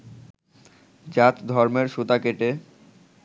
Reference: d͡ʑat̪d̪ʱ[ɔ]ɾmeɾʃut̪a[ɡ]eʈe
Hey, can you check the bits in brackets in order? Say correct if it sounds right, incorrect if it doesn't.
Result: correct, incorrect: k

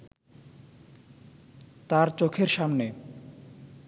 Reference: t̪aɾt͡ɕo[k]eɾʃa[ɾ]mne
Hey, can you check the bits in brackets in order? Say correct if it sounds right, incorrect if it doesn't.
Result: incorrect: kʰ, incorrect: none

